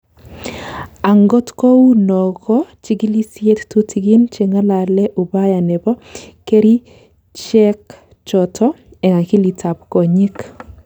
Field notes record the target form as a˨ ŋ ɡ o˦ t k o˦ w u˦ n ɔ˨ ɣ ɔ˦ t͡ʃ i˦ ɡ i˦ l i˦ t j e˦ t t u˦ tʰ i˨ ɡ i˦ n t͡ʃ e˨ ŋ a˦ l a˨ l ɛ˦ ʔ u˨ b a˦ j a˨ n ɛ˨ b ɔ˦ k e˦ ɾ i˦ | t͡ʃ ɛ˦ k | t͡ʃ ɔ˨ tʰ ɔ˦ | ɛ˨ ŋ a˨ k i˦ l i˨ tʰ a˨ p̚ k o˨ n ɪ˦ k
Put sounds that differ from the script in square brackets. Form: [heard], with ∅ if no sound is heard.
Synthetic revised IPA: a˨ ŋ ɡ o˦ t k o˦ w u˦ n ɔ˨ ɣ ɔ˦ t͡ʃ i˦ ɡ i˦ l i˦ [s] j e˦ t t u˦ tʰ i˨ ɡ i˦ n t͡ʃ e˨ ŋ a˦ l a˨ l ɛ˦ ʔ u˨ b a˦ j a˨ n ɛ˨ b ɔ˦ k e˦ ɾ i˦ | t͡ʃ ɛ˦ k | t͡ʃ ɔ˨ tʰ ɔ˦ | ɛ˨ ŋ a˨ k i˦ l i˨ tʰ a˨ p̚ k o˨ [ɲ] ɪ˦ k